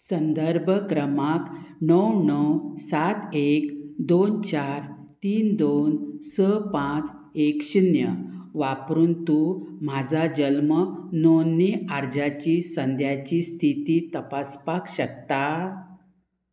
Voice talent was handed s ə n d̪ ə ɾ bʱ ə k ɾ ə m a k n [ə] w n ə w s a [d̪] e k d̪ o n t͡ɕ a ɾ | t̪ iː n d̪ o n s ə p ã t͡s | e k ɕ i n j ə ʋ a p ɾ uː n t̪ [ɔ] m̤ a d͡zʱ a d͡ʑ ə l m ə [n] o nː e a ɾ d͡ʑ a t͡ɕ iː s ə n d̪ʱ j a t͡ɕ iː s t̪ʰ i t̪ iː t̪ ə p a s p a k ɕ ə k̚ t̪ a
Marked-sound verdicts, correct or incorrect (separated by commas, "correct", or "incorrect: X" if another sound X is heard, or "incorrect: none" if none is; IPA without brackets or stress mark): correct, incorrect: t̪, incorrect: u, correct